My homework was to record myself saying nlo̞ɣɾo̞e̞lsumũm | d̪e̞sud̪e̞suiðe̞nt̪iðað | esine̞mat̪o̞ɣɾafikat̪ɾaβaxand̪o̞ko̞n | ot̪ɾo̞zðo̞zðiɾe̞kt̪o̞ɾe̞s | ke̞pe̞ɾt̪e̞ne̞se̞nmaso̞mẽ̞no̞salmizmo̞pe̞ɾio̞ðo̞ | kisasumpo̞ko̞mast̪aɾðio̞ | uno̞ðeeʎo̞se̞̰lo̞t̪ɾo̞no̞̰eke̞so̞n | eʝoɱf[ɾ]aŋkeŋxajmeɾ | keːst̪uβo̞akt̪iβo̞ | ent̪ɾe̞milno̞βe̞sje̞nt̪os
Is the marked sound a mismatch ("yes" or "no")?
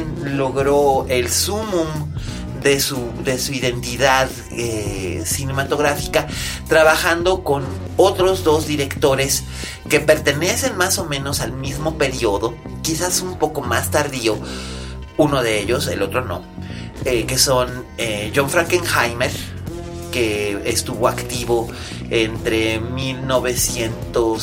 no